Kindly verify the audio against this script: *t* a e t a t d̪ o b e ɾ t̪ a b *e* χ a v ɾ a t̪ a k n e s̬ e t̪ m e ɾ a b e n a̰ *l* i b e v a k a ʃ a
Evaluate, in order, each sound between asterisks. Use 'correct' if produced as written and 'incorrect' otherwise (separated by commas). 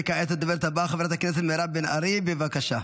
incorrect, incorrect, incorrect